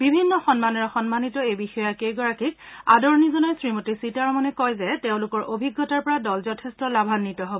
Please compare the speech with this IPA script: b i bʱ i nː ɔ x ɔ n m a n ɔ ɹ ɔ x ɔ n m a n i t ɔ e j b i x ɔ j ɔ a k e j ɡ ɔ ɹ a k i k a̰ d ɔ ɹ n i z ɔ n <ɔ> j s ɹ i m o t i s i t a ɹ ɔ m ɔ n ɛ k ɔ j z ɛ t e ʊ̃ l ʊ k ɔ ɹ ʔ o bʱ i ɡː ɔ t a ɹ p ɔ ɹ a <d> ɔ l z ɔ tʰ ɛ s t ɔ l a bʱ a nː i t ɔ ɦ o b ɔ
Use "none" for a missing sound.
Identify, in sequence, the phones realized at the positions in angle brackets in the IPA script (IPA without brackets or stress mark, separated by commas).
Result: ɔ, d